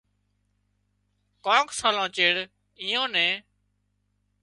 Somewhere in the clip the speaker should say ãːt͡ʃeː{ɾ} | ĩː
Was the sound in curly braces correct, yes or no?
no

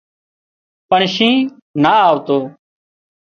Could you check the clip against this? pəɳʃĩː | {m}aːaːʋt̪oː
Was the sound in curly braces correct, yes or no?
no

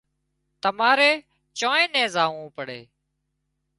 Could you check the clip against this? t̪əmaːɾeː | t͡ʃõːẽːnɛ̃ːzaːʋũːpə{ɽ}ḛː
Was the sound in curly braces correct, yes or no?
yes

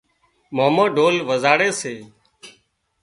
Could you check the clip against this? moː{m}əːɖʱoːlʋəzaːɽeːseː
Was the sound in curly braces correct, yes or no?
yes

